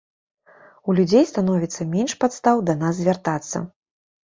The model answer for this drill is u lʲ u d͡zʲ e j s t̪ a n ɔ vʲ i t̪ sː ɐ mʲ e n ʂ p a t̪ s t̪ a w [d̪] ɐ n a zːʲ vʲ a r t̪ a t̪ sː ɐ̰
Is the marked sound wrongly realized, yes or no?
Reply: no